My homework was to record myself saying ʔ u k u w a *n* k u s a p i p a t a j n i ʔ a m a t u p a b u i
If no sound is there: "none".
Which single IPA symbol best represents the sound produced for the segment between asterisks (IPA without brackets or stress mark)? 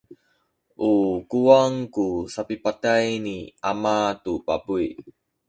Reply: ŋ